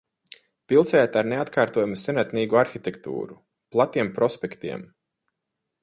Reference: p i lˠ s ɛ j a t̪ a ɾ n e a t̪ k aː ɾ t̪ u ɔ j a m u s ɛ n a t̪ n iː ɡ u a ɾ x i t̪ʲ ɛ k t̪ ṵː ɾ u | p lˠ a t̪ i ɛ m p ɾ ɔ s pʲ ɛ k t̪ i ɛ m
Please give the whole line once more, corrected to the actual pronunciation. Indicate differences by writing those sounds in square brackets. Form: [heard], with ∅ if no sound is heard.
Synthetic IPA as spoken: p i lˠ s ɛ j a t̪ a ɾ n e a t̪ k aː ɾ t̪ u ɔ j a m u s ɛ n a t̪ n iː ɡ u a ɾ x i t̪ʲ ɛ k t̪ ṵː ɾ u | p lˠ a t̪ i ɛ m p ɾ ɔ s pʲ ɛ k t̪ i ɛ m